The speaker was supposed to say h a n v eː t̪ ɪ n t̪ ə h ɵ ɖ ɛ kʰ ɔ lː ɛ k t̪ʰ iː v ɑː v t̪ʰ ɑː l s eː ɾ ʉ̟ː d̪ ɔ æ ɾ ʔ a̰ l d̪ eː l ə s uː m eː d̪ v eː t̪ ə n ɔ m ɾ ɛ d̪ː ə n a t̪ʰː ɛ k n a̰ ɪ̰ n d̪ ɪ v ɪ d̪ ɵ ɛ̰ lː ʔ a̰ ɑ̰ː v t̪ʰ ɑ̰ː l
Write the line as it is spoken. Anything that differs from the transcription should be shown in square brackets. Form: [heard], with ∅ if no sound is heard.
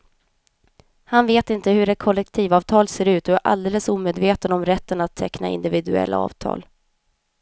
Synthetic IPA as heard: h a n v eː t̪ ɪ n t̪ ə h ɵ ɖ ɛ kʰ ɔ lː ɛ k t̪ʰ iː v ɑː v t̪ʰ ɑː l s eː ɾ ʉ̟ː [t̪] ɔ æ ɾ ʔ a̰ l d̪ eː l ə s uː m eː d̪ v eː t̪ ə n ɔ m ɾ ɛ [t̪ː] ə n a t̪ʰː ɛ k n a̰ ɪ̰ n d̪ ɪ v ɪ d̪ ɵ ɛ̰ lː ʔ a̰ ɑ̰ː v t̪ʰ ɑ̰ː l